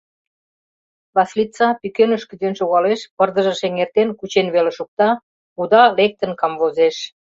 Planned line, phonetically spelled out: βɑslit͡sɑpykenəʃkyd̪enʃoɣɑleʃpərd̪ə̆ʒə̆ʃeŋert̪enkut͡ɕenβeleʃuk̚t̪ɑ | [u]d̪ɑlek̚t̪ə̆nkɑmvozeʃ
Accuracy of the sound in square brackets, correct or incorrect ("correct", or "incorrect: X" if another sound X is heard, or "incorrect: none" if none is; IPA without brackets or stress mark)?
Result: correct